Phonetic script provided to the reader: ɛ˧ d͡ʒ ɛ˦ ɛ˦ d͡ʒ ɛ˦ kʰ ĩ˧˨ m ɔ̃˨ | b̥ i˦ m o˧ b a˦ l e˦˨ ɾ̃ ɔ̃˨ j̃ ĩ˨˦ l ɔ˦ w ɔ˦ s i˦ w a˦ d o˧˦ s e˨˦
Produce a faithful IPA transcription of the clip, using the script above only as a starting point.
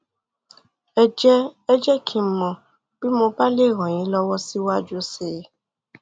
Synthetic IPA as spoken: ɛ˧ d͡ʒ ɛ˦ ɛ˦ d͡ʒ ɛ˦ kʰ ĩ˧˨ m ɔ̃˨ | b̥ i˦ m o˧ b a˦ l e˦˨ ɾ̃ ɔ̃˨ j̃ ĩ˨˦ l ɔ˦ w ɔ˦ s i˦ w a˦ d͡ʒ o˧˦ s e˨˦